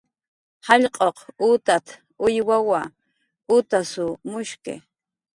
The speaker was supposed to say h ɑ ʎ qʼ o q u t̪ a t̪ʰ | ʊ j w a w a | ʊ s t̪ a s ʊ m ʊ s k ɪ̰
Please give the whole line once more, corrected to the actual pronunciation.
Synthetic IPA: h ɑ ʎ qʼ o q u t̪ a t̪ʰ | ʊ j w a w a | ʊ t̪ a s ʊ m ʊ ʃ k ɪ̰